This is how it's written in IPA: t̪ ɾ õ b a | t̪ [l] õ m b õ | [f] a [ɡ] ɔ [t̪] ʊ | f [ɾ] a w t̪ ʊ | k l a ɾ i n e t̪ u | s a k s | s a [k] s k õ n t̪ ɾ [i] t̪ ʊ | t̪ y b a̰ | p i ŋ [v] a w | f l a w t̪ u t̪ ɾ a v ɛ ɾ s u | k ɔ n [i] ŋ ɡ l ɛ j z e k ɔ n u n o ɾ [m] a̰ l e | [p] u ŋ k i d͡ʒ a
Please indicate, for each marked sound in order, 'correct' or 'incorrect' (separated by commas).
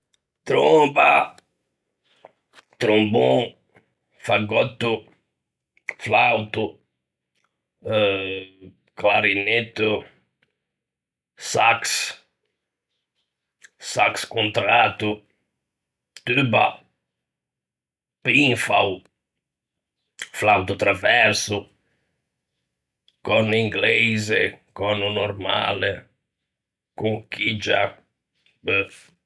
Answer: incorrect, correct, correct, correct, incorrect, correct, incorrect, incorrect, correct, correct, incorrect